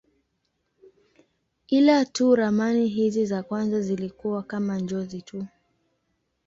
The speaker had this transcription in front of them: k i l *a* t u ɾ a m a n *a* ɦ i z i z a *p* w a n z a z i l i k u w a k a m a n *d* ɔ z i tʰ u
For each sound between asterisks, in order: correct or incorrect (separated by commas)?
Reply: correct, incorrect, incorrect, incorrect